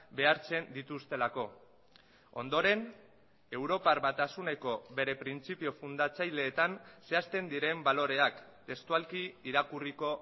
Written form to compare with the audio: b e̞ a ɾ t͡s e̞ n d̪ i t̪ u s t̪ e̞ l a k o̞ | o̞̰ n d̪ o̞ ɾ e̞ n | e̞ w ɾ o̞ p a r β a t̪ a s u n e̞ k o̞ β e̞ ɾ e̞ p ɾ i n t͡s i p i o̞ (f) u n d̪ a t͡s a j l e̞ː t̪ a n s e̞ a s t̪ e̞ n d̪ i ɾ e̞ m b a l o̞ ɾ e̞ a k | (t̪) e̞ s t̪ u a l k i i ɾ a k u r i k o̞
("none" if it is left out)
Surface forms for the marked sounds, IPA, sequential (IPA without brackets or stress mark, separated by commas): f, t̪